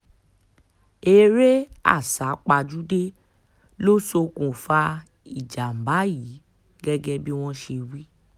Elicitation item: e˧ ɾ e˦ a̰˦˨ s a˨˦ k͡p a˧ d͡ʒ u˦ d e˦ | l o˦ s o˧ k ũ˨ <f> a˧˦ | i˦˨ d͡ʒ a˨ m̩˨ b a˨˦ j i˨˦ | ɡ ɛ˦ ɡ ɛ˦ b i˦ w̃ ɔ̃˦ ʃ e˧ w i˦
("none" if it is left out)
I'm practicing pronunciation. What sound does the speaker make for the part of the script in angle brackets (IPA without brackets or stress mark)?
f